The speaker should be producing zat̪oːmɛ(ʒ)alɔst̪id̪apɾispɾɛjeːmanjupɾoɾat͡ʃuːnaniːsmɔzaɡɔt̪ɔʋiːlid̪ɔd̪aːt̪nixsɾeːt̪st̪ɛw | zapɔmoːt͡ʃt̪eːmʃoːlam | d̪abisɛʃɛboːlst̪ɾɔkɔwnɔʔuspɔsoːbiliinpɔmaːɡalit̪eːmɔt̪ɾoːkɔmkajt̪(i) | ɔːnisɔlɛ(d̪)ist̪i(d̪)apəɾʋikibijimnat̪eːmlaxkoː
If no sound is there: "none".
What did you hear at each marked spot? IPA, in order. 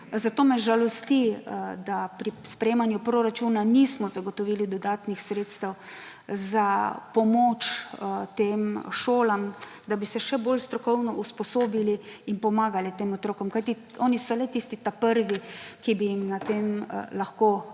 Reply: ʒ, i, t̪, t̪

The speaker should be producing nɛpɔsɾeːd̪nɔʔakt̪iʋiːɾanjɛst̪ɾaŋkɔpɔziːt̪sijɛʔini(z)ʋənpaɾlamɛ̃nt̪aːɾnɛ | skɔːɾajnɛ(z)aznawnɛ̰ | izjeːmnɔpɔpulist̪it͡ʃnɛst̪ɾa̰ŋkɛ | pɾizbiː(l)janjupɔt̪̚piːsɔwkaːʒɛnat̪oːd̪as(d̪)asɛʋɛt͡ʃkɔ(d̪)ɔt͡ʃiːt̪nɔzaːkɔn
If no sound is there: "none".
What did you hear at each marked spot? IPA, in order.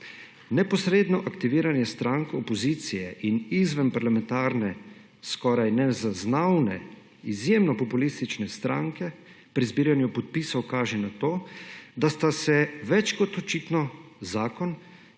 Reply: z, z, ɾ, t̪, t̪

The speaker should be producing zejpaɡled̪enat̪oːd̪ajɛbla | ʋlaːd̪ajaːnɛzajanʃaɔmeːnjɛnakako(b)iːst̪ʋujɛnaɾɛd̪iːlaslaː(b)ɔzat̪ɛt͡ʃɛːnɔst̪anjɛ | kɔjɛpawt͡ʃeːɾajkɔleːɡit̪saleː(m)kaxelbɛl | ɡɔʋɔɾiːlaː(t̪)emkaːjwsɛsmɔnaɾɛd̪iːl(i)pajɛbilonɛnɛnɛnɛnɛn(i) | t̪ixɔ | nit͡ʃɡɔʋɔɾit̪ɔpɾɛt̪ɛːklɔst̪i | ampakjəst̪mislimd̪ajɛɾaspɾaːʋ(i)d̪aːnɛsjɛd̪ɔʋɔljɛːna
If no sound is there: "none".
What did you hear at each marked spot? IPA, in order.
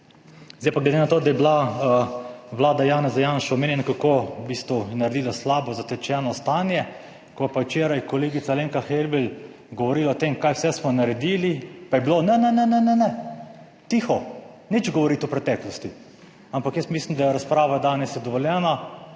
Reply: b, b, ŋ, t̪, i, ɛ, a

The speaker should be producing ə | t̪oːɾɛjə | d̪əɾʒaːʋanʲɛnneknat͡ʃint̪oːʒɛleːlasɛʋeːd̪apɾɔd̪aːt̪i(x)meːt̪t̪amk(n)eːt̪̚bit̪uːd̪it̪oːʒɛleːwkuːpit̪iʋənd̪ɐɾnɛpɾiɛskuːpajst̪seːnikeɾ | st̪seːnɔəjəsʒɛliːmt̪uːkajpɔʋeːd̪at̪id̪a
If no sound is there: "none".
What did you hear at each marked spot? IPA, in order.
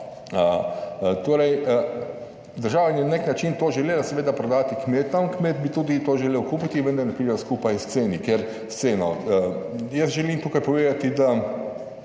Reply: k, m

